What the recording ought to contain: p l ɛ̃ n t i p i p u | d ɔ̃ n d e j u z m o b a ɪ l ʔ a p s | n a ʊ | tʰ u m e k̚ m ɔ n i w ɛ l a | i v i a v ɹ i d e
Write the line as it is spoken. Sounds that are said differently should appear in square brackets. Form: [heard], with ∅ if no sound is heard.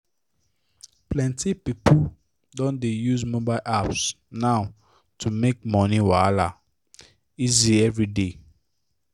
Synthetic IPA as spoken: p l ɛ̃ n t i p i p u | d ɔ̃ n d e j u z m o b a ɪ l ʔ a p s | n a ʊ | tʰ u m e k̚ m ɔ n i w [a] l a | i [z] i [ɛ] v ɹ i d e

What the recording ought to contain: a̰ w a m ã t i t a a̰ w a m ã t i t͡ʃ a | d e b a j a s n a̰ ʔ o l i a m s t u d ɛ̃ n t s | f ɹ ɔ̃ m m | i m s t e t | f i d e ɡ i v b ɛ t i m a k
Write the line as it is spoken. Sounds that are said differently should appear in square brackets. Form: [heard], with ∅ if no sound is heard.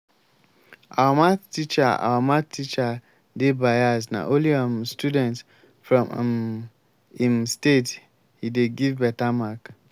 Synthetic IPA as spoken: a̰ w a m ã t i [t͡ʃ] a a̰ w a m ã t i t͡ʃ a | d e b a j a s n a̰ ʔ o l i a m s t u d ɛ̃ n t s | f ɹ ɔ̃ m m | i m s t e t | [h] i d e ɡ i v b ɛ t [a] m a k

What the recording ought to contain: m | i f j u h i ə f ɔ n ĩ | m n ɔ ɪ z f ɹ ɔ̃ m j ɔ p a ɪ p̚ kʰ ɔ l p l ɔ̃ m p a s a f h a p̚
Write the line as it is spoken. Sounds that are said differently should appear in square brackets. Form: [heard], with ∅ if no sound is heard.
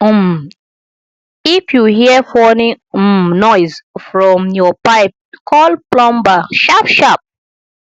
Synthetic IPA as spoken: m | i f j u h i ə f ɔ n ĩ | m n ɔ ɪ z f ɹ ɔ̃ m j ɔ p a ɪ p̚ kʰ ɔ l p l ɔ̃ m [b] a [ʃ] a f [ʃ] a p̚

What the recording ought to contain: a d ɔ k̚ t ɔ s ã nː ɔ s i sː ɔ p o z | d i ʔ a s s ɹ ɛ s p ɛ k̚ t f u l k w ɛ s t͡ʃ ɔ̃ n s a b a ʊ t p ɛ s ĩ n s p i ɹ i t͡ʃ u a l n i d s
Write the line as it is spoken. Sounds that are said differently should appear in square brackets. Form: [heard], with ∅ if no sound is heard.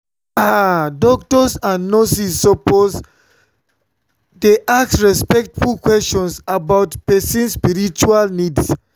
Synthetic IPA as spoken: a d ɔ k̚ t ɔ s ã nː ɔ s i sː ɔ p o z | d [e] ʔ a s s ɹ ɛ s p ɛ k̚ t f u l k w ɛ s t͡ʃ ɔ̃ n s a b a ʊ t p ɛ s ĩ n s p i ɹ i t͡ʃ u a l n i d s

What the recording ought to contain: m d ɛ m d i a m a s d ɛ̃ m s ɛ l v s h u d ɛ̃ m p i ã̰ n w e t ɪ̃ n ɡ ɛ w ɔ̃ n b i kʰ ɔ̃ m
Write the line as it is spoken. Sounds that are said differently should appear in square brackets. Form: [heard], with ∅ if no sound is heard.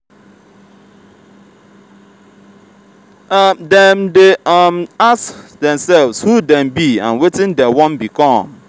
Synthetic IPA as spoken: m d ɛ m d [e] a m a s d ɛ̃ m s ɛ l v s h u d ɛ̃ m [b] i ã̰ n w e t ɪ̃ n [d] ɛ w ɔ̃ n b i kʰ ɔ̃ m

